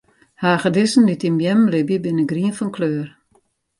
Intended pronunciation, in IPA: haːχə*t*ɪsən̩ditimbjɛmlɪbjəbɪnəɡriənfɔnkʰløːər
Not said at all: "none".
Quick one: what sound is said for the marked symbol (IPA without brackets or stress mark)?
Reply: d